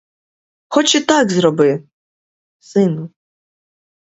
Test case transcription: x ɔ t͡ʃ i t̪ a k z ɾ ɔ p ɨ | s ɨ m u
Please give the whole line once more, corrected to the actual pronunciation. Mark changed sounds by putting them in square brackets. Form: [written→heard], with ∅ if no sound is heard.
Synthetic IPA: x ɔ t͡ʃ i t̪ a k z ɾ ɔ [p→b] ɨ | s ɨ [m→n] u